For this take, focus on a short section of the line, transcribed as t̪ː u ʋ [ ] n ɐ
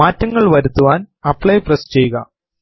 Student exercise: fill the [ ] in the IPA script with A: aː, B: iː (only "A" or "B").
A